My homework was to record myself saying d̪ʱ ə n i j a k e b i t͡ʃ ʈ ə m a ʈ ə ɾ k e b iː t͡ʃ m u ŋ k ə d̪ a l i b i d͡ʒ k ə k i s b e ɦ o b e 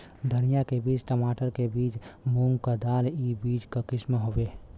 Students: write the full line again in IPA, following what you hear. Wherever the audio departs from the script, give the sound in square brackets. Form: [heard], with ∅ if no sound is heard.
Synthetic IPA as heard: d̪ʱ ə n i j a k e b i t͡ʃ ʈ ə m a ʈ ə ɾ k e b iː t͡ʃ m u ŋ k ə d̪ a l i b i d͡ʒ k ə k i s [m] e ɦ o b e